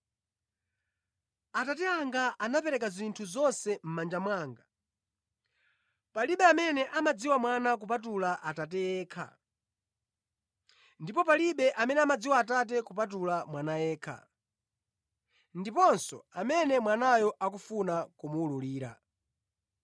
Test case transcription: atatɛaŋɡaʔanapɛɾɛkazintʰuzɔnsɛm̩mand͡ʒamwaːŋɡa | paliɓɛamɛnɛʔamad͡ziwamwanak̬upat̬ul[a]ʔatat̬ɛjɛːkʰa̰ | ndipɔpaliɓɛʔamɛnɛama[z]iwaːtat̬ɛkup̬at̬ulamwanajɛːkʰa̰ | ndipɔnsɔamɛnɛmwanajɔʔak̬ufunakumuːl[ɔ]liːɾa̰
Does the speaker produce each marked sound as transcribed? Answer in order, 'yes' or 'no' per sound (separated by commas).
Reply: yes, no, no